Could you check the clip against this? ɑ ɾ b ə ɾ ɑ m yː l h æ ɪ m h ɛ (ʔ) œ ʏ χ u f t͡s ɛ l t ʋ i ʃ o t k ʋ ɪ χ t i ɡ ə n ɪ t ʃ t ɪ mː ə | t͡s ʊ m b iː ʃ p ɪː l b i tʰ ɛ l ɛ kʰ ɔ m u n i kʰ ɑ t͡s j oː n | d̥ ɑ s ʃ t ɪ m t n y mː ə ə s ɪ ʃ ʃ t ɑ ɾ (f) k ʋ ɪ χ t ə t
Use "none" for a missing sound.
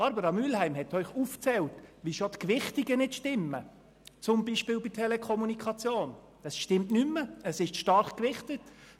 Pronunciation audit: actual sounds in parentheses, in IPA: t, χ

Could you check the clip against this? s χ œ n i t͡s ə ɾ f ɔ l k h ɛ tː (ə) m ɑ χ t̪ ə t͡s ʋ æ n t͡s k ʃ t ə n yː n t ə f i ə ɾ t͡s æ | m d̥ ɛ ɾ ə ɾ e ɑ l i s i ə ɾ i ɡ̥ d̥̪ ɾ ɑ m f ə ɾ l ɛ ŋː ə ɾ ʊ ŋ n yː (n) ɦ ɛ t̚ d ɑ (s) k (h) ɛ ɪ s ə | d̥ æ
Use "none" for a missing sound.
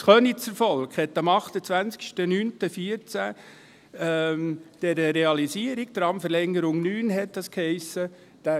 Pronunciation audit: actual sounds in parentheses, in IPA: ɑ, n, s, h

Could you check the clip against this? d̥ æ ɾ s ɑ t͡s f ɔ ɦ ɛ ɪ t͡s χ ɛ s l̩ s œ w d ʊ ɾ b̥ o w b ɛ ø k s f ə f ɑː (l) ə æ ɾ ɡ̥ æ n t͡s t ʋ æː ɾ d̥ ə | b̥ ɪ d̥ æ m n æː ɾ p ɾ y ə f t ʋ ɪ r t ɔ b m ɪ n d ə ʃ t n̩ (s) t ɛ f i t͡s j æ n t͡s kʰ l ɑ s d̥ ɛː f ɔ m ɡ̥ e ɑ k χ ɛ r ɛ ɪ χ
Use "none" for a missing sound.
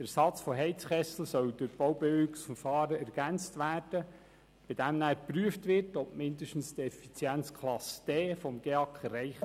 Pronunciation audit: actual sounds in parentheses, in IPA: ɾ, s

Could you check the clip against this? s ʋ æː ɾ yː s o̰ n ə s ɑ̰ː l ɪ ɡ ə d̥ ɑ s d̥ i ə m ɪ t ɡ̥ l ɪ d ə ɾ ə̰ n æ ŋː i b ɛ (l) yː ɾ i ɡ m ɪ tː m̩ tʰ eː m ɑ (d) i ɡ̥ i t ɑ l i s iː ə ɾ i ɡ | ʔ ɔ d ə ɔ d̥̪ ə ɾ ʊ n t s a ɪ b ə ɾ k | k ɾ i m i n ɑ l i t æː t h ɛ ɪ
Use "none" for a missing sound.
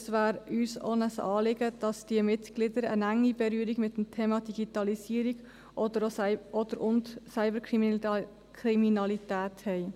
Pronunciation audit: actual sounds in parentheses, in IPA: ɾ, d

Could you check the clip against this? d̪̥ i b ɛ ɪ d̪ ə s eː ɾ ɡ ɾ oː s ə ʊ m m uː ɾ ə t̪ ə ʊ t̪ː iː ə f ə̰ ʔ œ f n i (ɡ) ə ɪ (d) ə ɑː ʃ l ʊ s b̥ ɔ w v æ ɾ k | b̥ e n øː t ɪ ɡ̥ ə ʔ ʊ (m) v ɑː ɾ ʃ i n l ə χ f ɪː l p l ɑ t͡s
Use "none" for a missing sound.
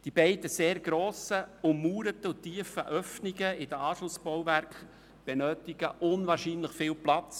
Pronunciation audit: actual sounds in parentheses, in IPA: ɡ, d, n

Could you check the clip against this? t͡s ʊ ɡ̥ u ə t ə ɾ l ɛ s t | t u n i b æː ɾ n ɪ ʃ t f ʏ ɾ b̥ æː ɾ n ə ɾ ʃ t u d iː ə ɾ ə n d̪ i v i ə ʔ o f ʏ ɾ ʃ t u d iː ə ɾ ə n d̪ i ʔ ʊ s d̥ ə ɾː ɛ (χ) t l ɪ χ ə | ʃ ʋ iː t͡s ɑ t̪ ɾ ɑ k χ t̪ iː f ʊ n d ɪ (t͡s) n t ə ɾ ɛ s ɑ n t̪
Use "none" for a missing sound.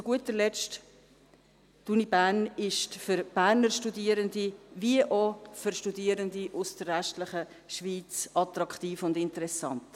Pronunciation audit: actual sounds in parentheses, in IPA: ʃ, none

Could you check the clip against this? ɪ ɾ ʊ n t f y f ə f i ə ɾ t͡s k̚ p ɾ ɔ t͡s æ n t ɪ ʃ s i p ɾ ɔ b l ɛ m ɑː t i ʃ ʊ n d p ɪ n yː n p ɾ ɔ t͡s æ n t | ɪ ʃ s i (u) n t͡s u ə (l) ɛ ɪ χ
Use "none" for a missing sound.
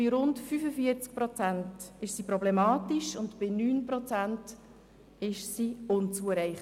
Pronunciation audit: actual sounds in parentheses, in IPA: ʊ, ɾ

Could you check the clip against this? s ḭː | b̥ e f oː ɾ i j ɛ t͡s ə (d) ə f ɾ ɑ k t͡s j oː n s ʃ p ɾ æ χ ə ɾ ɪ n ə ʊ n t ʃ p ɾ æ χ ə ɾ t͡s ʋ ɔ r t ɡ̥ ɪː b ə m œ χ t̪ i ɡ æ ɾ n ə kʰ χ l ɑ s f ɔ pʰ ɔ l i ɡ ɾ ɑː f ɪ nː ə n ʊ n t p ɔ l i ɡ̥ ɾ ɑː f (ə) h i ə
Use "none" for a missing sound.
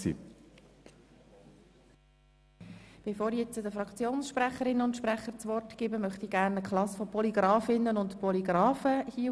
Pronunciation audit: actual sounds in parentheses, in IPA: d, ə

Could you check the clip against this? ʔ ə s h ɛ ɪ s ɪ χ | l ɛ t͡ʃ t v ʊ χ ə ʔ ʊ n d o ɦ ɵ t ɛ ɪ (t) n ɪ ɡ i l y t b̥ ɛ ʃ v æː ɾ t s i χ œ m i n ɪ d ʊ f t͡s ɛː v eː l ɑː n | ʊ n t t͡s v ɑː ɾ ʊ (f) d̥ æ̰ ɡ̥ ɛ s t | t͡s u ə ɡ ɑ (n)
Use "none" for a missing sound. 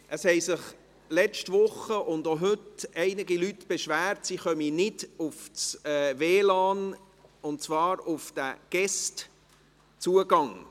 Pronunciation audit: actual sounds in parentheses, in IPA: none, f, ŋ

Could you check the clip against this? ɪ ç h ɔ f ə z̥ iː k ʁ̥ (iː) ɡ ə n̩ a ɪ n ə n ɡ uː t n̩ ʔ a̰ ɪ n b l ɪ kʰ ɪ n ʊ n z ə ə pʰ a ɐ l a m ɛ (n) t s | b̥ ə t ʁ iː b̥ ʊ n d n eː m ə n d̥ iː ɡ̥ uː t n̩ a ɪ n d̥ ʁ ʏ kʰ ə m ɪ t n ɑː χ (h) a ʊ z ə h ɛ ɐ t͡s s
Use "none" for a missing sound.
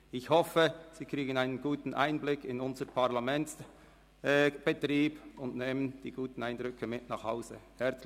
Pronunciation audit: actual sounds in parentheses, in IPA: iː, n, h

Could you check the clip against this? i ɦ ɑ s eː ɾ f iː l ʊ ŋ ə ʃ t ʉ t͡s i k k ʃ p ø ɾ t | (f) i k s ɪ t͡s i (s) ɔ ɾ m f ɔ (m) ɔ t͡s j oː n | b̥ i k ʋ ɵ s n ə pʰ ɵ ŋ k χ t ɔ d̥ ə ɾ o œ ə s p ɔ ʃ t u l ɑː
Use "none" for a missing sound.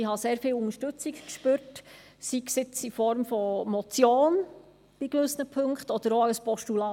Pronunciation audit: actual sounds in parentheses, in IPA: s, f, m

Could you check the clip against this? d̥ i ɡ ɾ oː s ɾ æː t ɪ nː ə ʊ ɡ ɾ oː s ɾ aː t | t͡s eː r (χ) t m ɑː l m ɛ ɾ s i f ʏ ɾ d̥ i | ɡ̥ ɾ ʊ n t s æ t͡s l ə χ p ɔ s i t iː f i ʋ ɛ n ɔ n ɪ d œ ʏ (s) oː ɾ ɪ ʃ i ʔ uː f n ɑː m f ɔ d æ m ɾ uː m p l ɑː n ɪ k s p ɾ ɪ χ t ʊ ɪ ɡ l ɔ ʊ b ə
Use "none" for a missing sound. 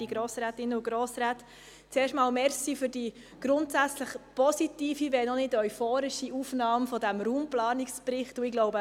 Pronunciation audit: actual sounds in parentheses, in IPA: ʃ, f

